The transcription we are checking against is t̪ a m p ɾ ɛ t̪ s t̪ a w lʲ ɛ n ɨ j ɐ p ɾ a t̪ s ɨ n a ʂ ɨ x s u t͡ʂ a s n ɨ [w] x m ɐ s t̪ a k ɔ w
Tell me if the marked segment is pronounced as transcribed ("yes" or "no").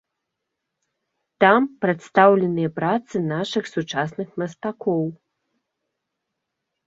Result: no